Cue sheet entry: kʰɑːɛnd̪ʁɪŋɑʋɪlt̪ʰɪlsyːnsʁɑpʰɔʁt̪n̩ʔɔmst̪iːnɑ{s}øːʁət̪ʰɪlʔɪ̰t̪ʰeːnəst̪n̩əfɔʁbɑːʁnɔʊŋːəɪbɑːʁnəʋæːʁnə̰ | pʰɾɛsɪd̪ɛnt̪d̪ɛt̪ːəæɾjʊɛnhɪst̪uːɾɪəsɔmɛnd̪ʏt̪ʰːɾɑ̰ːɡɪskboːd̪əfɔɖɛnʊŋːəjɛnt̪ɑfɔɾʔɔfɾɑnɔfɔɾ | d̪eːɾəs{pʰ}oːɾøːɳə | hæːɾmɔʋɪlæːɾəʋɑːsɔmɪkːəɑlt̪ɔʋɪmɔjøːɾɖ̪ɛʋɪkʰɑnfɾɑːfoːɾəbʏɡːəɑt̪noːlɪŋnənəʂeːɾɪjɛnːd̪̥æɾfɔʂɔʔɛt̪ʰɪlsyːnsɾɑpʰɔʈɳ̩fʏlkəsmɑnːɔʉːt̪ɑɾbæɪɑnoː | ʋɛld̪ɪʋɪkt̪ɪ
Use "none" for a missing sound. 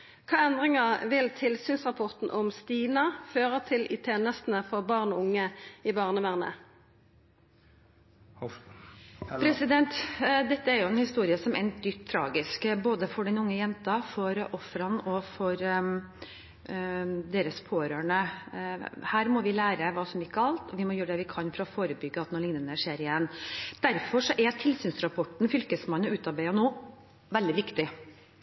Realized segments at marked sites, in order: f, pʰ

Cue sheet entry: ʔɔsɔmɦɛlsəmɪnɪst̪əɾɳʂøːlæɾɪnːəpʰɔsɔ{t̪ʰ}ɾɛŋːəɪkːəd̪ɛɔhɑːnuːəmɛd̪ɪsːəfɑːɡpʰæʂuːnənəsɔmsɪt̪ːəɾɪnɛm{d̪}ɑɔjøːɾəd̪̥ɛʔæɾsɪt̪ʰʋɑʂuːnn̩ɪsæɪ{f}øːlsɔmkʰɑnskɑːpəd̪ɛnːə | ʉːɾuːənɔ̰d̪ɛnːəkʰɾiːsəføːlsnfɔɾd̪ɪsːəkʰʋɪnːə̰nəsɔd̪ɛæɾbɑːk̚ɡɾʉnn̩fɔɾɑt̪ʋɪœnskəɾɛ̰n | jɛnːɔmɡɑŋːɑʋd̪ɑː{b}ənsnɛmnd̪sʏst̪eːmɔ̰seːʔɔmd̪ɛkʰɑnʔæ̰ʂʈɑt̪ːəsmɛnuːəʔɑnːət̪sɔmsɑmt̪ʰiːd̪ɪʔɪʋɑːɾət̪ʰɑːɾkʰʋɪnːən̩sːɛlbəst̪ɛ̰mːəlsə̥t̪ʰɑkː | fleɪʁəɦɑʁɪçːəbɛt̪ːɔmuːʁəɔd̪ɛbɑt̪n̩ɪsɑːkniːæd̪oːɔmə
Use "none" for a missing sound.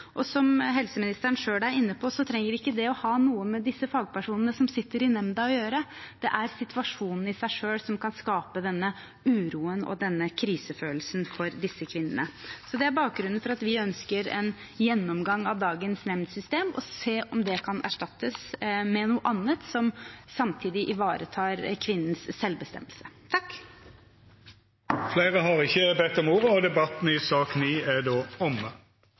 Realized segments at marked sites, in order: t̪ʰ, d̪, ʂ, ɡ

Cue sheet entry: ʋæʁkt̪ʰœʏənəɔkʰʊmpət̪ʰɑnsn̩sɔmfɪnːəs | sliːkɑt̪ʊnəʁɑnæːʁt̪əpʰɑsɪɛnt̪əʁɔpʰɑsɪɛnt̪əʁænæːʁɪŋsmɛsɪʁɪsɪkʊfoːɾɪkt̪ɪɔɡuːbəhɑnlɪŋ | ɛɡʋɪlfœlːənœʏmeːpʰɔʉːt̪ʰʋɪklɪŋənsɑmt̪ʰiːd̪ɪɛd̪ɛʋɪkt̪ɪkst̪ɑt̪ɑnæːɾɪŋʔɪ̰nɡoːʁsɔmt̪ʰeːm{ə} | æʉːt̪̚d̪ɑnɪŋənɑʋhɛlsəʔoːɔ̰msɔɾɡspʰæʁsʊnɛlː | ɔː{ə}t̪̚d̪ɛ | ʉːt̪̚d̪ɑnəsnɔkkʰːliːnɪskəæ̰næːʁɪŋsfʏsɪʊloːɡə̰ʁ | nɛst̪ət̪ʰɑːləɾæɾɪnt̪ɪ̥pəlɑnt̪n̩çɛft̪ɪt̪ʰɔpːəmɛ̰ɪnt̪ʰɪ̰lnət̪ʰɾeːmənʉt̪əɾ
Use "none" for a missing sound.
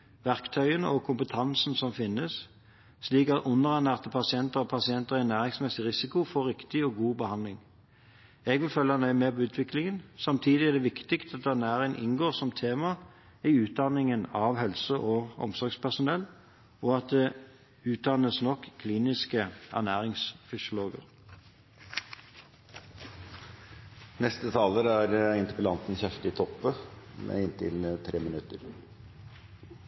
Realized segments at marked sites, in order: ɑ, ɑ

